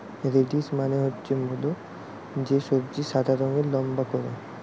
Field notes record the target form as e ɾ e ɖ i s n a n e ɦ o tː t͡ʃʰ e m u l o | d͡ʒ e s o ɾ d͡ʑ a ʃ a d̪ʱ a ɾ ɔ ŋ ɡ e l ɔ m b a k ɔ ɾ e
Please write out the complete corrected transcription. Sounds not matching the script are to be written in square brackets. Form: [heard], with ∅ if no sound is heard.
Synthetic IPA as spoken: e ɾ e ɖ i s [m] a n e ɦ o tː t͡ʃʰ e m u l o | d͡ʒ e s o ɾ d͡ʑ [i] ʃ a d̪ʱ a ɾ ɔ ŋ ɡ e l ɔ m b a k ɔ ɾ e

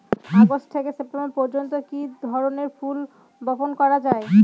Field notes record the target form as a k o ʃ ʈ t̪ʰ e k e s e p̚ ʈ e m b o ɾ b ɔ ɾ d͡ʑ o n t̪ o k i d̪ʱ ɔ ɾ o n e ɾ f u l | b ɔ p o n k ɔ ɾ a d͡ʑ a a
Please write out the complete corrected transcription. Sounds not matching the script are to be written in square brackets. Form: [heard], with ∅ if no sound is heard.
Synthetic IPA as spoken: a [ɡ] o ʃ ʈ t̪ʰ e k e s e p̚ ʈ e m b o ɾ [p] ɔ ɾ d͡ʑ o n t̪ o k i d̪ʱ ɔ ɾ o n e ɾ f u l | b ɔ p o n k ɔ ɾ a d͡ʑ a [e]

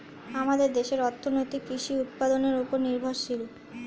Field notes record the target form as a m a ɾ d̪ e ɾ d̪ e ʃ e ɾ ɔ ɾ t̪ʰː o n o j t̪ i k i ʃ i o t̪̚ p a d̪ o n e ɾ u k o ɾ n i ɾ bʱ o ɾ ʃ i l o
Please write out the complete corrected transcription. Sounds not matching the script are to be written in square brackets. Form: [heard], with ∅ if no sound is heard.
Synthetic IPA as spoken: a m a [∅] d̪ e ɾ d̪ e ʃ e ɾ ɔ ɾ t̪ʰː o n o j t̪ i k i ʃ i [u] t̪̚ p a d̪ o n e ɾ u [p] o ɾ n i ɾ bʱ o ɾ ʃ i l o

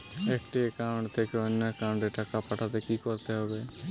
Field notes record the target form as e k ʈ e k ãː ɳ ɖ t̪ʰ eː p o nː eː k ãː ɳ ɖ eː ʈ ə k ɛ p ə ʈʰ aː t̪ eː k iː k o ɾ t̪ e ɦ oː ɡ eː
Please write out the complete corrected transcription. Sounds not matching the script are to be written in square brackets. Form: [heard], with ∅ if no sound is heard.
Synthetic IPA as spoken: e k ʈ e k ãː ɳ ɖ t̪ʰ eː [k] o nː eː k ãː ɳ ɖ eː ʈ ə k [a] p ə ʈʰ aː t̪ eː k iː k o ɾ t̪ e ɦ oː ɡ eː

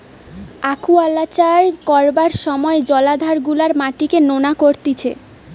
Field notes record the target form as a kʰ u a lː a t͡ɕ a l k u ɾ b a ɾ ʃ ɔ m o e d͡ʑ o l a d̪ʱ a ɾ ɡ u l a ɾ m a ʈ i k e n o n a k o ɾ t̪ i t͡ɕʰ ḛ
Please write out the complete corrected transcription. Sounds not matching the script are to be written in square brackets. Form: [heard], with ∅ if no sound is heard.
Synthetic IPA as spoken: a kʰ u a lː a t͡ɕ a [ɾ] k [ɔ] ɾ b a ɾ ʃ ɔ m [ɔ] e d͡ʑ [ɔ] l a d̪ʱ a ɾ ɡ u l a ɾ m a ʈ i k e n o n a k o ɾ t̪ i t͡ɕʰ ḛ

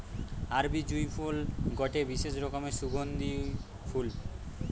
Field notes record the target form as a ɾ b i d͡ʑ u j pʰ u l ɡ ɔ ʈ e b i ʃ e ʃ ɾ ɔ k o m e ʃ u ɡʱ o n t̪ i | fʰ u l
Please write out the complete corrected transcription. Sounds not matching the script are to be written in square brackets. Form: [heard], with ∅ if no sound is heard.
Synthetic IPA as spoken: a ɾ b i d͡ʑ u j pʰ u l ɡ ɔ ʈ e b i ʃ e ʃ ɾ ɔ k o m e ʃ u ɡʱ o n [d̪] i | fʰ u l

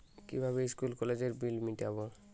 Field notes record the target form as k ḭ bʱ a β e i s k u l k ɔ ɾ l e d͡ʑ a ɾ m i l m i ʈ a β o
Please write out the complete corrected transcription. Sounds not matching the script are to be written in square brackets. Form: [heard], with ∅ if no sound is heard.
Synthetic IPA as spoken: k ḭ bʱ a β e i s k u l k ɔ [∅] l e d͡ʑ [e] ɾ [b] i l m i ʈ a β o

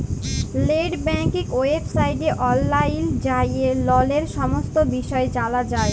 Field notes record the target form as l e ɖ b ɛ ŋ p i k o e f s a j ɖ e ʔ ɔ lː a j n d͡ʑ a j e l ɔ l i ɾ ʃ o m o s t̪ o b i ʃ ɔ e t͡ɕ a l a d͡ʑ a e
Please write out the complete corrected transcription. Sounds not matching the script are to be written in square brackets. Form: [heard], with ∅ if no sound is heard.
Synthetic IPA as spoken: l e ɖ b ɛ ŋ [k] i k o e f s a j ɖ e ʔ ɔ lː a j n d͡ʑ a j e l ɔ l [e] ɾ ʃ [ɔ] m o s t̪ o b i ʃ ɔ e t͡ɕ a l a d͡ʑ a e

